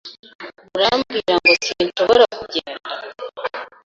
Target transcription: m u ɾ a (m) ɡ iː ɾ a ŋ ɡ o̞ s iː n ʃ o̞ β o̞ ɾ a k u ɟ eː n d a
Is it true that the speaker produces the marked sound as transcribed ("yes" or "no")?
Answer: yes